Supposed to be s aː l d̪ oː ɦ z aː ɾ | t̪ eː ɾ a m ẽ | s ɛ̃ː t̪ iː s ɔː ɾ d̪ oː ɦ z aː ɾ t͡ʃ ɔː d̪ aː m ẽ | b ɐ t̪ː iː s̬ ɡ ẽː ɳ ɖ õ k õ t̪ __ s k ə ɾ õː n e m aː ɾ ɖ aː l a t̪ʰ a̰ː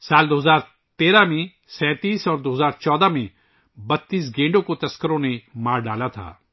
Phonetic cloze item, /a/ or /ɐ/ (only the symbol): ɐ